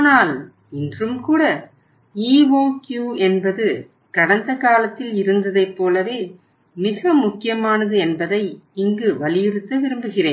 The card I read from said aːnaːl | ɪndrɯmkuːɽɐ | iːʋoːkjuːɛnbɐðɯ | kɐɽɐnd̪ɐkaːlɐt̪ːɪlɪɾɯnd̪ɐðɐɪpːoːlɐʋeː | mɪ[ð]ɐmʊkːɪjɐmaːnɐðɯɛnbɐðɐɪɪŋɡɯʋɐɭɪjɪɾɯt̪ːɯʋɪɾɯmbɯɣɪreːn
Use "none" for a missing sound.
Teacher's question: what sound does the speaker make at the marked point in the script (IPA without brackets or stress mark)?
ɣ